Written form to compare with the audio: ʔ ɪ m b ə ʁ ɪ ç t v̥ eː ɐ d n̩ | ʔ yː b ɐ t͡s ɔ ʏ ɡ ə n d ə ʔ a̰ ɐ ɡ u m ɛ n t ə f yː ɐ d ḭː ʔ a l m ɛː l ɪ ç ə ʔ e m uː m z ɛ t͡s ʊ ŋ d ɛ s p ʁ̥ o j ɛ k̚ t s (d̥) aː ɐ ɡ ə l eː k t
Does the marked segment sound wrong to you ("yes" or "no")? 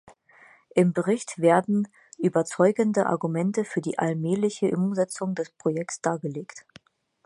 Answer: no